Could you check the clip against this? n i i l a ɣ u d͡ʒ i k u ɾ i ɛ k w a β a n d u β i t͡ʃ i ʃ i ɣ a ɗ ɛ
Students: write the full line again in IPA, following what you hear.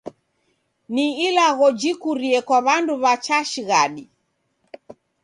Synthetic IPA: n i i l a ɣ ɔ d͡ʒ i k u ɾ i ɛ k w a β a n d u β a t͡ʃ a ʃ i ɣ a ɗ i